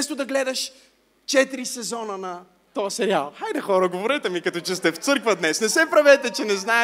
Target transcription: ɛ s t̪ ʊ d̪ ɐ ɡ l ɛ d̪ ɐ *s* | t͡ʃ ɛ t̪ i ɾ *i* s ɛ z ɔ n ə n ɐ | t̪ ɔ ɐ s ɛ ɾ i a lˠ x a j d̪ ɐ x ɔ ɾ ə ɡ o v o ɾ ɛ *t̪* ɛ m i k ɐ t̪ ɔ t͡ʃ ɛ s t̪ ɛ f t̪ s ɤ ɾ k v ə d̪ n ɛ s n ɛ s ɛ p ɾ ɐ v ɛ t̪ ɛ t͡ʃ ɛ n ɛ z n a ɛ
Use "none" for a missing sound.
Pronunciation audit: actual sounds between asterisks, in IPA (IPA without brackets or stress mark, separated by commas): ʃ, i, t̪